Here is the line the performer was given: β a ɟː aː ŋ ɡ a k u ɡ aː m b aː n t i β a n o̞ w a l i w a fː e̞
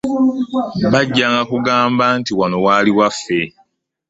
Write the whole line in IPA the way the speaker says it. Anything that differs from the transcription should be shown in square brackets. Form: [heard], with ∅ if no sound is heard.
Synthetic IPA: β a ɟː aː ŋ ɡ a k u ɡ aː m b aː n t i [w] a n o̞ w a l i w a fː e̞